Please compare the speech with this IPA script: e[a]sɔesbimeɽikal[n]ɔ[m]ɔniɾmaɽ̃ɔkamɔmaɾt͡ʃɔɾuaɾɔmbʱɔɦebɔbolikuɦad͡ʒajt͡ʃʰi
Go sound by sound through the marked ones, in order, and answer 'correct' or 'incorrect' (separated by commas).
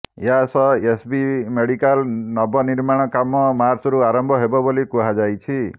correct, correct, incorrect